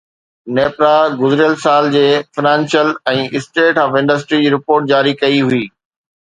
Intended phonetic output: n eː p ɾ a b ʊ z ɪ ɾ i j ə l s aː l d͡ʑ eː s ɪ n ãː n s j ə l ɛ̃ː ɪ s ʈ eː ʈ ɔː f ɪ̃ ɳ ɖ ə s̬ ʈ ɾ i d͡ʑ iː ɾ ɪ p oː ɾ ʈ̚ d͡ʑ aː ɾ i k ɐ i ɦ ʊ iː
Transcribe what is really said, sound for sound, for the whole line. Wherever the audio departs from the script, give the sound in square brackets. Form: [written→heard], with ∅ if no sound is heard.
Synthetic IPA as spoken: n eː p ɾ a [b→ɡ] ʊ z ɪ ɾ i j ə l s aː l d͡ʑ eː [s→f] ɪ n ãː n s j ə l ɛ̃ː ɪ s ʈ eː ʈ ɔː f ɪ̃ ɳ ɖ ə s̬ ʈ ɾ i d͡ʑ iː ɾ ɪ p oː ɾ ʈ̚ d͡ʑ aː ɾ i k ɐ i ɦ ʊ iː

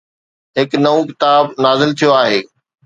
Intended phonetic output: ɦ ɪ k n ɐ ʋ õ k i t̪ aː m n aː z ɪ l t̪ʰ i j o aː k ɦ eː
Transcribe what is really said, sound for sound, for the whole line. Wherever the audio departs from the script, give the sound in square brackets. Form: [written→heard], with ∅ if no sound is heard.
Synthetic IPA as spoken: ɦ ɪ k n ɐ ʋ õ k [i→ɪ] t̪ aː [m→b] n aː z ɪ l t̪ʰ i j o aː [k→∅] ɦ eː

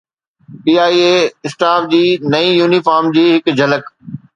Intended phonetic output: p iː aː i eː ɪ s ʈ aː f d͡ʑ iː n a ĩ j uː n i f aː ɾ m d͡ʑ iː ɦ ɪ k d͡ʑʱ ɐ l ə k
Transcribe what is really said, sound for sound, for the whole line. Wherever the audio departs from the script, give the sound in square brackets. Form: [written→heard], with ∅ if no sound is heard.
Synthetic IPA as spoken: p iː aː i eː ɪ s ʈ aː f d͡ʑ iː n [a→ɐ] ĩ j uː n i f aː ɾ m d͡ʑ iː ɦ ɪ k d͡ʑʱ ɐ l ə k

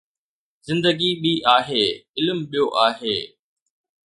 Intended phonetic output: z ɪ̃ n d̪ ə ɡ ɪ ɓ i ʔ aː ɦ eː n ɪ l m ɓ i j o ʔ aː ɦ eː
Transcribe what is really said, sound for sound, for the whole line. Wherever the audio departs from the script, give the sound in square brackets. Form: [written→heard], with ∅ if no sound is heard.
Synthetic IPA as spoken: z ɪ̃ n d̪ ə ɡ [ɪ→i] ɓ i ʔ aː ɦ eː [n→∅] ɪ l m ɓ i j o ʔ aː ɦ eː

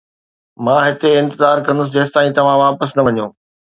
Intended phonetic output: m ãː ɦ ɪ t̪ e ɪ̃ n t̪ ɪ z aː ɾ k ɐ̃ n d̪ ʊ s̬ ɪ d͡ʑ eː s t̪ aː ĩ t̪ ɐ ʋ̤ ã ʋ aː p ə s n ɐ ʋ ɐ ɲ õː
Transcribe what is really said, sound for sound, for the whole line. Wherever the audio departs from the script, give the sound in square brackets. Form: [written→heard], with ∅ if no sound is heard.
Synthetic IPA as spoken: m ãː ɦ ɪ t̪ e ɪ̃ n t̪ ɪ z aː ɾ k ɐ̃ n d̪ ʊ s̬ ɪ d͡ʑ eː s t̪ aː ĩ t̪ ɐ ʋ̤ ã ʋ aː p ə s n ɐ ʋ ɐ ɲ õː

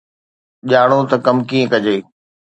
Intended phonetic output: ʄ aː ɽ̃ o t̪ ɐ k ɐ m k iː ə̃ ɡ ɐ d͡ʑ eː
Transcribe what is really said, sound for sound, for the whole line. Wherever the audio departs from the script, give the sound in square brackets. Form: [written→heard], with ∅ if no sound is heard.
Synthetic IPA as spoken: ʄ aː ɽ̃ o t̪ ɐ k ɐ m k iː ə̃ [ɡ→k] ɐ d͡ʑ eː

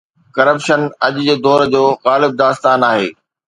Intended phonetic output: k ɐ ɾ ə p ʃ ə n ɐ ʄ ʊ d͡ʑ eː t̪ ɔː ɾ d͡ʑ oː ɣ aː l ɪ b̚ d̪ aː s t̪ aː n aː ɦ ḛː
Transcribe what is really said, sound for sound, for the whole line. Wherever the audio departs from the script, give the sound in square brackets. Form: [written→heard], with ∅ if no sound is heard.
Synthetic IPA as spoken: k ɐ ɾ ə p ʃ ə n ɐ ʄ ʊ d͡ʑ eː [t̪→d̪] ɔː ɾ d͡ʑ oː ɣ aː l ɪ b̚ d̪ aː s t̪ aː n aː ɦ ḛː

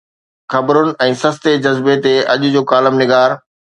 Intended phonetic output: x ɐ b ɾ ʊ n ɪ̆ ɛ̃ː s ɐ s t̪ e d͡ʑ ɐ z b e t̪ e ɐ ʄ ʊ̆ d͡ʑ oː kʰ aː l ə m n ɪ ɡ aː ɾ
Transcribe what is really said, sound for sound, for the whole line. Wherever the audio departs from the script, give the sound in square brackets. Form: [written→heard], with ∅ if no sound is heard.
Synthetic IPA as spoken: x ɐ b ɾ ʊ n ɪ̆ ɛ̃ː s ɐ s t̪ e d͡ʑ ɐ z b e t̪ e ɐ ʄ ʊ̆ d͡ʑ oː [kʰ→k] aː l ə m n ɪ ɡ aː ɾ

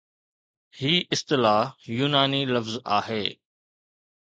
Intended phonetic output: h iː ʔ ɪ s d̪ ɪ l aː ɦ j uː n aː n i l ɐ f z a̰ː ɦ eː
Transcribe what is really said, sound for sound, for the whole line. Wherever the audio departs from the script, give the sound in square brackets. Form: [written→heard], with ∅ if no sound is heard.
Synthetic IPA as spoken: h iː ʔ ɪ s [d̪→t̪] ɪ l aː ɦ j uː n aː n i l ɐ f z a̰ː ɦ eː

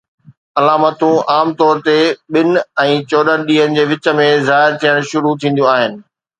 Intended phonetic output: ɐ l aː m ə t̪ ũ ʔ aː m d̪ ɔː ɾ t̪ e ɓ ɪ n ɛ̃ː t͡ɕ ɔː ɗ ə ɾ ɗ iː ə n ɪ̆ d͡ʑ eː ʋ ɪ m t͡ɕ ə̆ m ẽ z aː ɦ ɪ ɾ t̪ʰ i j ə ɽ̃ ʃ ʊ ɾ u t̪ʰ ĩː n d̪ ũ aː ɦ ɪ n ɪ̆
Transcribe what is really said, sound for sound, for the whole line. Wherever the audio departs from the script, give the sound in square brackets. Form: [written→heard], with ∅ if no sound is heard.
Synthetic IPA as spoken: ɐ l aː m ə t̪ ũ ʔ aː m [d̪→t̪] ɔː ɾ t̪ e ɓ ɪ n ɛ̃ː t͡ɕ ɔː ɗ ə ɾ ɗ iː ə n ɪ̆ d͡ʑ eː ʋ ɪ [m→∅] t͡ɕ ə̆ m ẽ z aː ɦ ɪ ɾ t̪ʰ i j ə ɽ̃ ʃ ʊ ɾ u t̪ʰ ĩː n d̪ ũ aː ɦ ɪ n ɪ̆

